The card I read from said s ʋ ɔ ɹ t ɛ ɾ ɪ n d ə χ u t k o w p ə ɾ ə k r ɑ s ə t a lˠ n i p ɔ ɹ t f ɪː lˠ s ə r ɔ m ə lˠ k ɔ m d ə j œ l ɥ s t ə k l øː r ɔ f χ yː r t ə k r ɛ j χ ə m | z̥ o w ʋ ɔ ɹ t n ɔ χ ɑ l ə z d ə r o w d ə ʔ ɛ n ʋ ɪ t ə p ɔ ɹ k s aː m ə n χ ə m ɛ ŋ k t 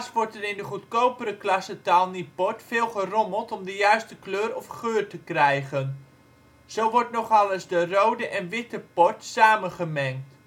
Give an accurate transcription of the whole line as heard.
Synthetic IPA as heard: s ʋ ɔ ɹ t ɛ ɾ ɪ n d ə χ u t k o w p ə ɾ ə k l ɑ s ə t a lˠ n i p ɔ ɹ t f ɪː lˠ χ ə r ɔ m ə lˠ t ɔ m d ə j œ ɥ s t ə k l øː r ɔ f χ øː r t ə k r ɛ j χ ə n | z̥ o w ʋ ɔ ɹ t n ɔ χ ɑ l ə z d ə r o w d ə ʔ ɛ n ʋ ɪ t ə p ɔ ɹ t s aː m ə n χ ə m ɛ ŋ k t